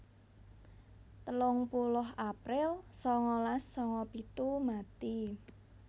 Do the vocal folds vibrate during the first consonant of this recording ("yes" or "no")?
no